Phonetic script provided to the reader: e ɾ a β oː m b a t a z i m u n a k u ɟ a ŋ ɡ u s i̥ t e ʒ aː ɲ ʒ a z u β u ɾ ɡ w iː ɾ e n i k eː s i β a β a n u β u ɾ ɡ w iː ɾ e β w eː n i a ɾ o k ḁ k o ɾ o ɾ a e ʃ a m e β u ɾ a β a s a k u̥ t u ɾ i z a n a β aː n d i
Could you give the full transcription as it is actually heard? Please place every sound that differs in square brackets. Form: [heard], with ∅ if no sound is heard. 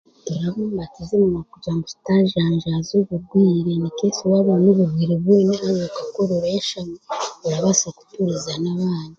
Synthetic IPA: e ɾ a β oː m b a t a z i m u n a k u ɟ a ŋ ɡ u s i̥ t [a] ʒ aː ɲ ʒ a z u β u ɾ ɡ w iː ɾ e n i k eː s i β a β a n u β u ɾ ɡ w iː ɾ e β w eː n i a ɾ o k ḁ k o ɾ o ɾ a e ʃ a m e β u ɾ a β a s a k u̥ t u ɾ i z a n a β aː n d i